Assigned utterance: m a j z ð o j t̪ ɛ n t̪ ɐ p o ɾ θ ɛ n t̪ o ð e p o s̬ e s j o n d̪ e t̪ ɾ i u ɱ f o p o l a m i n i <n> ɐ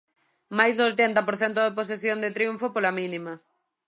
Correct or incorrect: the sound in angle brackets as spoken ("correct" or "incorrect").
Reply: incorrect